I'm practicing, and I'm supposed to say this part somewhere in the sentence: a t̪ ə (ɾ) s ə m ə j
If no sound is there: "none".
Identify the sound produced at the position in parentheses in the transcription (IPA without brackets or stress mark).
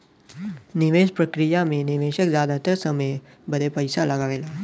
ɾ